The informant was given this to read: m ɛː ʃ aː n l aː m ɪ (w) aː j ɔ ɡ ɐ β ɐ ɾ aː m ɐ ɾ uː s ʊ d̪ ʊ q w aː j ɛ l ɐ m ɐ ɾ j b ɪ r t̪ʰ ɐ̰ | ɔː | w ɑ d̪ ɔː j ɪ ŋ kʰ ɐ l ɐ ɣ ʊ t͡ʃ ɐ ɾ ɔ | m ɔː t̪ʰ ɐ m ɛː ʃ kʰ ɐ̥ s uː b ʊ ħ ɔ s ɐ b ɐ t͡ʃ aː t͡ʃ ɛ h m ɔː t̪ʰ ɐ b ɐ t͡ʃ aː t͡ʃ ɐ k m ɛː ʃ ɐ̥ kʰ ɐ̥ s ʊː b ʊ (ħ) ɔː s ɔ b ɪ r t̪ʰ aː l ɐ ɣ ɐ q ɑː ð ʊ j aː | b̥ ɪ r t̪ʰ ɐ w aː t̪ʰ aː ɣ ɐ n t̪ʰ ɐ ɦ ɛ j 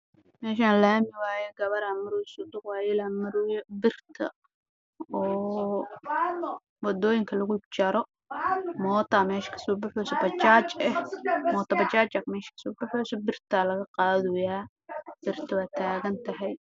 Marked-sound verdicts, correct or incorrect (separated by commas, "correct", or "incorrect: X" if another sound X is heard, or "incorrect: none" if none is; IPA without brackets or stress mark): correct, correct